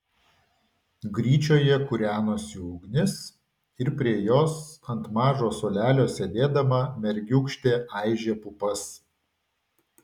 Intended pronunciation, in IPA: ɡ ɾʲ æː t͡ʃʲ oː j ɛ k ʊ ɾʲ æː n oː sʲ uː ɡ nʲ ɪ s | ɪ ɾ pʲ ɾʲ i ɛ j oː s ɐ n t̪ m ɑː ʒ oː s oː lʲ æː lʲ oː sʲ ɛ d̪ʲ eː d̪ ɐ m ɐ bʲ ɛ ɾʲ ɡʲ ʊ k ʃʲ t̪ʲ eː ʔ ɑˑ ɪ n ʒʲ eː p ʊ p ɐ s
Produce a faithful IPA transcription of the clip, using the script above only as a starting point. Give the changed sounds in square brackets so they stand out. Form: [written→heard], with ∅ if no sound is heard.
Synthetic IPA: ɡ ɾʲ [æː→iː] t͡ʃʲ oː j ɛ k ʊ ɾʲ æː n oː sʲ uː ɡ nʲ ɪ s | ɪ ɾ pʲ ɾʲ i ɛ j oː s ɐ n t̪ m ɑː ʒ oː s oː lʲ æː lʲ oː sʲ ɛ d̪ʲ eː d̪ ɐ m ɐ [bʲ→mʲ] ɛ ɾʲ ɡʲ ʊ k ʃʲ t̪ʲ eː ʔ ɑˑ ɪ [n→∅] ʒʲ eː p ʊ p ɐ s